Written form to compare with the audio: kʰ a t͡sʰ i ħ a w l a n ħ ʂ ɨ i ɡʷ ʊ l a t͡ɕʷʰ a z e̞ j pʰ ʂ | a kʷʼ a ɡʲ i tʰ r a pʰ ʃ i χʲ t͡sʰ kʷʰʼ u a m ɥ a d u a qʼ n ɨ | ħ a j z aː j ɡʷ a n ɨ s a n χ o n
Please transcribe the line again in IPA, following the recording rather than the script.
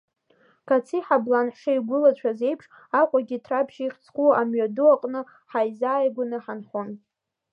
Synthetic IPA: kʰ a t͡sʰ i ħ a b l a n ħ ʂ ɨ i ɡʷ ʊ l a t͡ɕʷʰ a z e̞ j pʰ ʂ | a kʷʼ a ɡʲ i tʰ r a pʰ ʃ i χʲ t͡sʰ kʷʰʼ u a m ɥ a d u a qʼ n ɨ | ħ a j z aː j ɡʷ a n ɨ ħ a n χ o n